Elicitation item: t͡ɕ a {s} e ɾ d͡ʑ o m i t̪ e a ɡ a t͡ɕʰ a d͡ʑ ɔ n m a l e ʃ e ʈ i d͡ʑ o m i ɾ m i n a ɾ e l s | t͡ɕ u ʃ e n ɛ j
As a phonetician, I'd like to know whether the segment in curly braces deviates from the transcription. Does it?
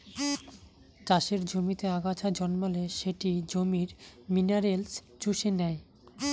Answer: yes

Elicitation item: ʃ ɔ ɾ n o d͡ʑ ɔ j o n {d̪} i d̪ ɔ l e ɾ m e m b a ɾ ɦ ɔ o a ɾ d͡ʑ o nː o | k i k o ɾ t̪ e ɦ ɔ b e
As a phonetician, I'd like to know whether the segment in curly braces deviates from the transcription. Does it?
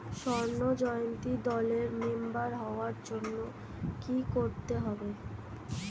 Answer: yes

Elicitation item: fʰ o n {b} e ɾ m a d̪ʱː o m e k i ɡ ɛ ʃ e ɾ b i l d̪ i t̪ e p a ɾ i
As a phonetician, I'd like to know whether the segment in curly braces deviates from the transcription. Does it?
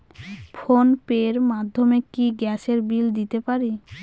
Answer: yes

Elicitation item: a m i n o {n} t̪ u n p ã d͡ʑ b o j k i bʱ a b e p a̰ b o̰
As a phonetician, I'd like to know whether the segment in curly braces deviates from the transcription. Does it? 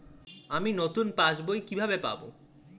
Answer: yes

